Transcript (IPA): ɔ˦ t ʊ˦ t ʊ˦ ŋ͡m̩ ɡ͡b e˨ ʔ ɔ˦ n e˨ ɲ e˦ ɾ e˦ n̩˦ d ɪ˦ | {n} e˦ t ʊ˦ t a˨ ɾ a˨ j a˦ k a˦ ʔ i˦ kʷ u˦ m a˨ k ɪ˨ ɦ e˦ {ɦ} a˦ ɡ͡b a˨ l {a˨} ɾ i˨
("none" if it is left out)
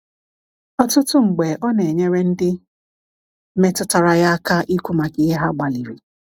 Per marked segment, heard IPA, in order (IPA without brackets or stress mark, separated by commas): m, ɦ, i˨